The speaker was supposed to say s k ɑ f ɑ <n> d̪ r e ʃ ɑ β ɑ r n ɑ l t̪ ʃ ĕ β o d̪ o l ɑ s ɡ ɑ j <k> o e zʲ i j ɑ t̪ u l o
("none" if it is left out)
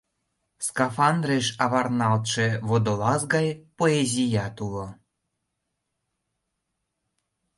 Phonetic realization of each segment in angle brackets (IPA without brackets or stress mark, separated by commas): n, p